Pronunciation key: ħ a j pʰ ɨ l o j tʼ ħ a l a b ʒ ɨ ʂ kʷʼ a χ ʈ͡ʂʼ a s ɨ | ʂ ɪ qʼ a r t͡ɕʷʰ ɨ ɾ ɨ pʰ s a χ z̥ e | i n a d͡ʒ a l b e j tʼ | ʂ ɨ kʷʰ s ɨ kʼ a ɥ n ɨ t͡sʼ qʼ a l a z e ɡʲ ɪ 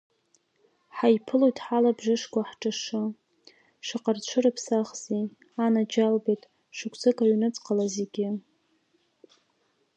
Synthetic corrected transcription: ħ a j pʰ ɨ l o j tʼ ħ a l a b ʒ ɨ ʂ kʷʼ a ħ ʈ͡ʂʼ a ʂ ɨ | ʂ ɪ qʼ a r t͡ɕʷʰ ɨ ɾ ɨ pʰ s a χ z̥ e | a n a d͡ʒ a l b e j tʼ | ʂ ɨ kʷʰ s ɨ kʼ a ɥ n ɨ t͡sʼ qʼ a l a z e ɡʲ ɪ